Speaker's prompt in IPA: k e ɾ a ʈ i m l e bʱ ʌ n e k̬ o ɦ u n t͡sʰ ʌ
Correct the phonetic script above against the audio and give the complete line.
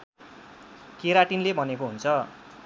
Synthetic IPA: k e ɾ a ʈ i n l e bʱ ʌ n e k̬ o ɦ u n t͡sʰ ʌ